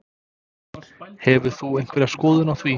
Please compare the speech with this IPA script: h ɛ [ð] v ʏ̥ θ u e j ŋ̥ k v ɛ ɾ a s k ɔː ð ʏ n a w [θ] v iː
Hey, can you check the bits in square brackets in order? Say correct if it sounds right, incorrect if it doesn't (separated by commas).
incorrect, correct